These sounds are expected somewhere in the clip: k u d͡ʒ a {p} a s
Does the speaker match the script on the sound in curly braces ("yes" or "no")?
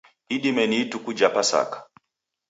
yes